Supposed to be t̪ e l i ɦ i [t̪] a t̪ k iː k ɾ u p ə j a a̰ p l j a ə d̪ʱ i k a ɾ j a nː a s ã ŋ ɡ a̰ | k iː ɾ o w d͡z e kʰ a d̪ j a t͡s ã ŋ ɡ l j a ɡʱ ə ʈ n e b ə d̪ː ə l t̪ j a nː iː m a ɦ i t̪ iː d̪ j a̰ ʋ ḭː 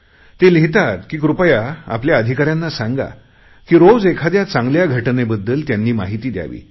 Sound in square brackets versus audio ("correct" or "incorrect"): correct